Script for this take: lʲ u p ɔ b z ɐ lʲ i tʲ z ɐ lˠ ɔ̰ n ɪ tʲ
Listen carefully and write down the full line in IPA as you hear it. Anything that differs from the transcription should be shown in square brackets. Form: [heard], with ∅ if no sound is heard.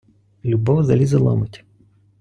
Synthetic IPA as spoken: lʲ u [b] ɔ [w] z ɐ lʲ i [∅] z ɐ lˠ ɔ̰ [m] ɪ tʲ